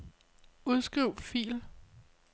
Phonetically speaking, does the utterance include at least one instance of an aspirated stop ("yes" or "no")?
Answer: no